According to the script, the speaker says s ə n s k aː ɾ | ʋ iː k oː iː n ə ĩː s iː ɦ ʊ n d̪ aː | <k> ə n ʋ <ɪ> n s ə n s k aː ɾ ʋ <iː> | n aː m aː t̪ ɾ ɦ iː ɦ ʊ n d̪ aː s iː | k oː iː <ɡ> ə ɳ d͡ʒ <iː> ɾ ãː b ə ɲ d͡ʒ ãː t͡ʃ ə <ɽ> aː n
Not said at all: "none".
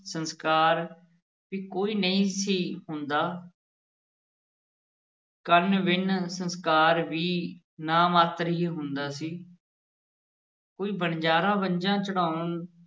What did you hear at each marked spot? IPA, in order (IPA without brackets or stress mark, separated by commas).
k, ɪ, iː, b, aː, ɽ